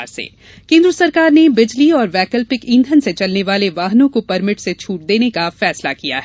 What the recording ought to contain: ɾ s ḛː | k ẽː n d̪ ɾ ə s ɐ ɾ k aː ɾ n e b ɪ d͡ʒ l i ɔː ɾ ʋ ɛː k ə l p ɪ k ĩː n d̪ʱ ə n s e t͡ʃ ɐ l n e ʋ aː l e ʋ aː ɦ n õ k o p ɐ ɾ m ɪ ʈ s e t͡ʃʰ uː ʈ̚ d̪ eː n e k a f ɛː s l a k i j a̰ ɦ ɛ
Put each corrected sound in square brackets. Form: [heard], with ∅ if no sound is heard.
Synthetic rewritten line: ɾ s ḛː | k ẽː n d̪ ɾ ə s ɐ ɾ k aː ɾ n e b ɪ d͡ʒ l i ɔː ɾ ʋ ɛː k ə l p ɪ k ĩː n d̪ʱ ə n s e t͡ʃ ɐ l n e ʋ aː l e ʋ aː ɦ n õ k o p ɐ ɾ m ɪ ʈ s e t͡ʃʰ uː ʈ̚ d̪ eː n e k a f ɛː s l a k i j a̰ ɦ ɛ